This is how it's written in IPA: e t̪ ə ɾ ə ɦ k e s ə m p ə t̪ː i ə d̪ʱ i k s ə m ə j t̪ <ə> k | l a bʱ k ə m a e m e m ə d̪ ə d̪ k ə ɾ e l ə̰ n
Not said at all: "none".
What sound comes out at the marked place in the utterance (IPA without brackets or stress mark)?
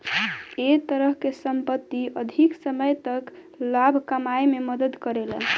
ə